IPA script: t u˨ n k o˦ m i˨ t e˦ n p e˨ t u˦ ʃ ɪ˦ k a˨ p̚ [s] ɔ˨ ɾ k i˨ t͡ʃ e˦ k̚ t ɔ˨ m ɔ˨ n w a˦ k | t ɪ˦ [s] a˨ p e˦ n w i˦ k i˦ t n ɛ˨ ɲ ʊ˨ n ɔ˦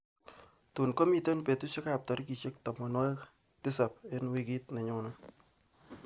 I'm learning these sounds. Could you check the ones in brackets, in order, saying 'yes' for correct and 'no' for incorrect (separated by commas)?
no, yes